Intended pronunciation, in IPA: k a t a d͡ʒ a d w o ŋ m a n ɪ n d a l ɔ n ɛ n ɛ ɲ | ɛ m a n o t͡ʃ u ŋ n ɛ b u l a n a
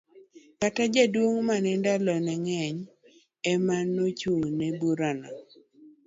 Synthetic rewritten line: k a t a d͡ʒ a d w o ŋ m a n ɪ n d a l ɔ n ɛ ŋ ɛ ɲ | ɛ m a n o t͡ʃ u ŋ n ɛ b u ɾ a n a